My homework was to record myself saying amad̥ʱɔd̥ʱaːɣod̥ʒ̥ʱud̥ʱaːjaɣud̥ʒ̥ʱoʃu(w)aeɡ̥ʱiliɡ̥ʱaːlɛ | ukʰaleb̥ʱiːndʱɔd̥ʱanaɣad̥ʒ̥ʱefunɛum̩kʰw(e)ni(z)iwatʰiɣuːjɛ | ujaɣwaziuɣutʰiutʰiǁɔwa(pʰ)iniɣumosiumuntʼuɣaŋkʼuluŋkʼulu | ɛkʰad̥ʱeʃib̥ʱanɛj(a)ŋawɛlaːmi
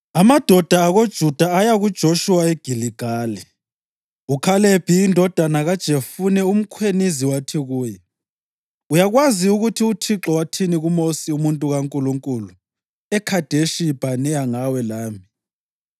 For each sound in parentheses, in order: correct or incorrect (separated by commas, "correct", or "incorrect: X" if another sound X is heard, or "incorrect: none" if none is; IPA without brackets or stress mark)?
correct, correct, correct, incorrect: tʰ, correct